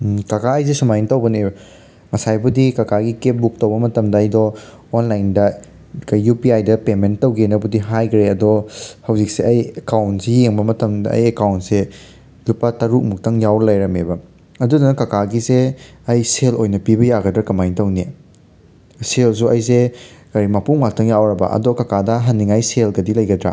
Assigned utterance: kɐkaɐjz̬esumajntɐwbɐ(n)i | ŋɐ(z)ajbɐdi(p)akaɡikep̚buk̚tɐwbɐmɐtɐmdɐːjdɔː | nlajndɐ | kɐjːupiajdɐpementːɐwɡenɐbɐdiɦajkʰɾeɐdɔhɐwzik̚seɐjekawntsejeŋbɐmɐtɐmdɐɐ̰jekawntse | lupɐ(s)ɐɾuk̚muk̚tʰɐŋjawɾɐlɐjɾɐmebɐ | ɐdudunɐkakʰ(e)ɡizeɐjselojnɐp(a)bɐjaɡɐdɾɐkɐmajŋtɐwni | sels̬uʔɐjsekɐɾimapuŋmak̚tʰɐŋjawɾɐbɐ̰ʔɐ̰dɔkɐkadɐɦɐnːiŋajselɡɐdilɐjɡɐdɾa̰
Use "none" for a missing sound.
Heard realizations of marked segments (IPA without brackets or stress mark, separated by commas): n, s, k, t, a, i